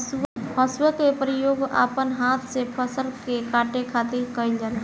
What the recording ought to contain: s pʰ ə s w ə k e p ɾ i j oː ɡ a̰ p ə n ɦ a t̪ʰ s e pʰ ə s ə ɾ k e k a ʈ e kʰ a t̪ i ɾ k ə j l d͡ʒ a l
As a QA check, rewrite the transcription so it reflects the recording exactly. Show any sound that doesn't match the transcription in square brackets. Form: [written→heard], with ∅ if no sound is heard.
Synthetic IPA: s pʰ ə s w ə k e p ɾ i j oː ɡ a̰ p ə n ɦ a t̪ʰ s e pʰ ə s ə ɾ k e k a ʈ e kʰ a t̪ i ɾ k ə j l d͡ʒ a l